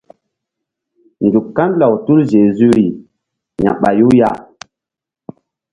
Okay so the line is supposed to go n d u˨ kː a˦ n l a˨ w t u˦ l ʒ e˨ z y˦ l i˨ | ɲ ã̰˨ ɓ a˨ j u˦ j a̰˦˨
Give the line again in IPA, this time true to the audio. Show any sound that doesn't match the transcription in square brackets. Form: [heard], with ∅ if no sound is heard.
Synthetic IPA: n d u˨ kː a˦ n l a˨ w t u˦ l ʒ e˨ z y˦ [ɾ] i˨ | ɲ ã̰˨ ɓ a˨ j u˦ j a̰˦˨